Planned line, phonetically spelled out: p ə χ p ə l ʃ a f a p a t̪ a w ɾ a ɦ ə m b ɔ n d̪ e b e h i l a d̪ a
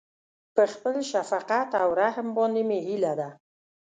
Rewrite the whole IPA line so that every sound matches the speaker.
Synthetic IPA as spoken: p ə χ p ə l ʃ a f a q a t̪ a w ɾ a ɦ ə m b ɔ n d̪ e m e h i l a d̪ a

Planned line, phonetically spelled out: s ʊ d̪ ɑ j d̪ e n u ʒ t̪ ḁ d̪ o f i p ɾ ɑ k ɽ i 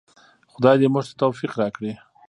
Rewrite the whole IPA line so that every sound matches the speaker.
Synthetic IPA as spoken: x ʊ d̪ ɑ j d̪ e m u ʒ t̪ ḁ t̪ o f i q ɾ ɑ k ɽ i

